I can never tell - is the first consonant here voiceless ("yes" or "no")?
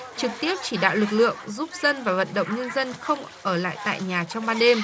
yes